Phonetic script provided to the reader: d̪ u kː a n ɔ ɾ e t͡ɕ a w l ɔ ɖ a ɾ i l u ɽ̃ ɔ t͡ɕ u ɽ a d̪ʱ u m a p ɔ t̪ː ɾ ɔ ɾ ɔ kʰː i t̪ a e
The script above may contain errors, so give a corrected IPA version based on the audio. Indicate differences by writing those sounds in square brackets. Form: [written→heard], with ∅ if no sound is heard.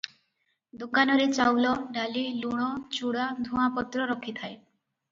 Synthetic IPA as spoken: d̪ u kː a n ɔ ɾ e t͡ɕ a w l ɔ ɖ a [ɾ→l] i l u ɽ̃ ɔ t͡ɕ u ɽ a d̪ʱ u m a p ɔ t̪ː ɾ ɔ ɾ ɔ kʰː i [t̪→t̪ʰ] a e